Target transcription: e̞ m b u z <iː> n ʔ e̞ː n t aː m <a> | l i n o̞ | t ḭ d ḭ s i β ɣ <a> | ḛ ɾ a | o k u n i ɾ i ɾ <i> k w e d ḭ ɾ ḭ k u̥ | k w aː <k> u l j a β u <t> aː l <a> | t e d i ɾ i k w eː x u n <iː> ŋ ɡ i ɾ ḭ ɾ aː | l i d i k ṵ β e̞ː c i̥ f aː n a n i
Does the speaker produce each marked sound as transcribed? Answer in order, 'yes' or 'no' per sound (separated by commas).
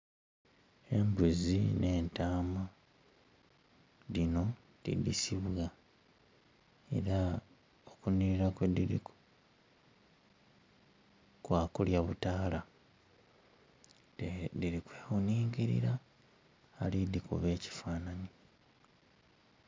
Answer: no, yes, yes, no, yes, yes, yes, yes